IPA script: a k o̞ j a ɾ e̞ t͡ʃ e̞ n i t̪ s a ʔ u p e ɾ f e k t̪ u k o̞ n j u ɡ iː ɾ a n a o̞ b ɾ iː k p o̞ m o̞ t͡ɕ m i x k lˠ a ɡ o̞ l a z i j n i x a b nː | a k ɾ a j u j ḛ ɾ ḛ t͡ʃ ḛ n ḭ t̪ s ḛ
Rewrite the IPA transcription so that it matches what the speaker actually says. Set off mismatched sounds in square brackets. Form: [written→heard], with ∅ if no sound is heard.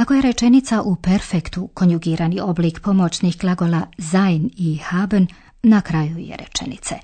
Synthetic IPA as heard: a k o̞ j [a→e] ɾ e̞ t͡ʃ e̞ n i t̪ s a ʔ u p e ɾ f e k t̪ u k o̞ n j u ɡ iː ɾ a n [a→i] o̞ b [ɾ→l] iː k p o̞ m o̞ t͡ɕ [m→n] i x k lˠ a ɡ o̞ l a z [i→a] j n i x a b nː | a k ɾ a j u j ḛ ɾ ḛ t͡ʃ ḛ n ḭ t̪ s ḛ